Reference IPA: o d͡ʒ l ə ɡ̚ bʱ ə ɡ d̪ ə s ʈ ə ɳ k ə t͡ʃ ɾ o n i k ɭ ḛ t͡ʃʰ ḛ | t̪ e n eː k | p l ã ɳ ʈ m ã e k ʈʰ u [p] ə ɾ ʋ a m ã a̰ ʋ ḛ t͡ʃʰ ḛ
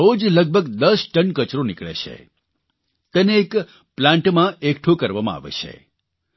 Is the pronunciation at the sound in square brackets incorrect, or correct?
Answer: incorrect